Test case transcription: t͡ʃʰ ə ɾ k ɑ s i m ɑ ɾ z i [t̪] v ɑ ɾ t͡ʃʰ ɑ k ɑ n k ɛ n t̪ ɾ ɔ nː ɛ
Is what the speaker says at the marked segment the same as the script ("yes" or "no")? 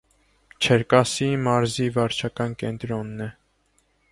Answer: no